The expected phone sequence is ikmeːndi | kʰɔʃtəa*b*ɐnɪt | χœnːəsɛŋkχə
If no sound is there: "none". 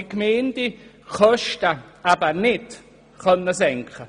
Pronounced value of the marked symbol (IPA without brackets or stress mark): b